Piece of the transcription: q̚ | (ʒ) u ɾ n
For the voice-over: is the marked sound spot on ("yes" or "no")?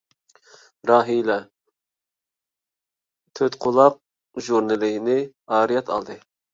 yes